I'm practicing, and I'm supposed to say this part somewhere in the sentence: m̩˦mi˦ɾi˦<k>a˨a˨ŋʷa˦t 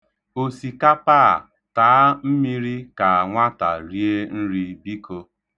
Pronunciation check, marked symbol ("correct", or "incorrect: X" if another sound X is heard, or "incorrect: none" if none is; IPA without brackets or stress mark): correct